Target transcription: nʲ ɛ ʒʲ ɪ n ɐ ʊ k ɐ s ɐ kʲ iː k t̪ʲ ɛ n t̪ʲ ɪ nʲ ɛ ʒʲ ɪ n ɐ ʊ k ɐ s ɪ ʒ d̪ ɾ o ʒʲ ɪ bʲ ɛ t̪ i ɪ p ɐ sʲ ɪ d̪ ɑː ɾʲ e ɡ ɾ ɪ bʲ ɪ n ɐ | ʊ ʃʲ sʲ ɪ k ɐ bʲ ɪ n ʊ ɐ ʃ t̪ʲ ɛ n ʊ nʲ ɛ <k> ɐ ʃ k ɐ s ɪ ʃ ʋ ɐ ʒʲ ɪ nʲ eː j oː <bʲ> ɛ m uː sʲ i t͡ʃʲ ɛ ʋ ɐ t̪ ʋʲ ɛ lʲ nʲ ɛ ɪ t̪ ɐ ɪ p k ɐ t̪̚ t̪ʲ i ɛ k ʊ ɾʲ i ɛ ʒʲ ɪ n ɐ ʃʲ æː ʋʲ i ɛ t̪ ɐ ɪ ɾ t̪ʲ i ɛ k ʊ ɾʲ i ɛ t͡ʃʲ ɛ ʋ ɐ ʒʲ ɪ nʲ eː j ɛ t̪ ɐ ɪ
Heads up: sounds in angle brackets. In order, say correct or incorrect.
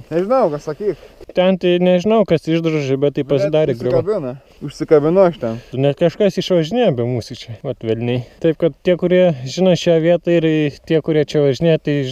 correct, correct

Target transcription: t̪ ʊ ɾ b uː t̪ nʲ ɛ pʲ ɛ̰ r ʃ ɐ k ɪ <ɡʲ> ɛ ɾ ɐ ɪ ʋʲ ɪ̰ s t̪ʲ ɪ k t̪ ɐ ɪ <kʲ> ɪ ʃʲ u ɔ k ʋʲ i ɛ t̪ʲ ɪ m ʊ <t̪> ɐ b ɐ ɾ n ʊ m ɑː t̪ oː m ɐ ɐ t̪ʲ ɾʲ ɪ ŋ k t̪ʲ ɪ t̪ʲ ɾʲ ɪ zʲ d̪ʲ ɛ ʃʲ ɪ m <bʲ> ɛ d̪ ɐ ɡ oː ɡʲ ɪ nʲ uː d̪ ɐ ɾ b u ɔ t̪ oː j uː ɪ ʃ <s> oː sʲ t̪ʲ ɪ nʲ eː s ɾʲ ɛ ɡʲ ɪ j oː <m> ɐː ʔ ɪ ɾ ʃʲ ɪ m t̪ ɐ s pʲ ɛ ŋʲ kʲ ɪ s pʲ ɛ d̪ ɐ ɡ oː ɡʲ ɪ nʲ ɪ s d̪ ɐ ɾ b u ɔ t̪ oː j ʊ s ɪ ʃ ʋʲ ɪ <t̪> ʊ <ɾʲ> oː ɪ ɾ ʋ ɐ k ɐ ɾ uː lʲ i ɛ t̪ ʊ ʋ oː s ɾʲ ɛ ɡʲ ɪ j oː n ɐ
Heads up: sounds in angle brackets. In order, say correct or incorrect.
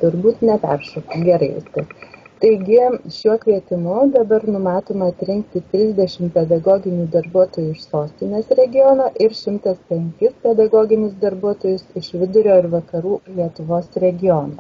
correct, incorrect: ɡʲ, incorrect: d̪, incorrect: pʲ, correct, incorrect: n, incorrect: d̪, correct

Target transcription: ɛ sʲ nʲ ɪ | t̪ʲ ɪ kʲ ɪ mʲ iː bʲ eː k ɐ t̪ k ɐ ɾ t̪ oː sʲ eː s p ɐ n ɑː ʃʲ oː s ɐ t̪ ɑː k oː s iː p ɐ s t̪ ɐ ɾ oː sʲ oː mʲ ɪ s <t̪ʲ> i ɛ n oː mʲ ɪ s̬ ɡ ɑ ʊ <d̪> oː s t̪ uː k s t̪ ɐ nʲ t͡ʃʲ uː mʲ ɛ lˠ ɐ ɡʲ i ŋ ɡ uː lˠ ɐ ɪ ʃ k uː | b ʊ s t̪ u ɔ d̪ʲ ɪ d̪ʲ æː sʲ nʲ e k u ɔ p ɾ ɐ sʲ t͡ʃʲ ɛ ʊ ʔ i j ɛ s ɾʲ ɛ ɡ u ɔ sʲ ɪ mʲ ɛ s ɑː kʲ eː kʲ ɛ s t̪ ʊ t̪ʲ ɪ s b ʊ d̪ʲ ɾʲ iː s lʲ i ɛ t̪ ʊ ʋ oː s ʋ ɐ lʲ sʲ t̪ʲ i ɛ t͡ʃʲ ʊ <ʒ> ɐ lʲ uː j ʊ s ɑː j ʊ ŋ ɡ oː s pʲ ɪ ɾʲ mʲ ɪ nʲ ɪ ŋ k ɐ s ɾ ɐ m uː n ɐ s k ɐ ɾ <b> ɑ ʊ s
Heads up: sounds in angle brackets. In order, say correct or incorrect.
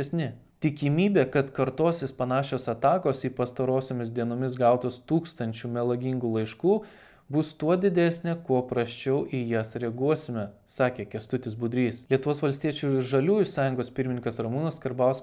incorrect: d̪ʲ, incorrect: t̪, correct, correct

